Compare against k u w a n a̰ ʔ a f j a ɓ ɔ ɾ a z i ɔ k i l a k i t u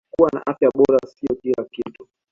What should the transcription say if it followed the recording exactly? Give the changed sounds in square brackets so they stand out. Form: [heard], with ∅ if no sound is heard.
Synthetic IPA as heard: k u w a n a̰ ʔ a f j a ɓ ɔ ɾ a [s] i ɔ k i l a k i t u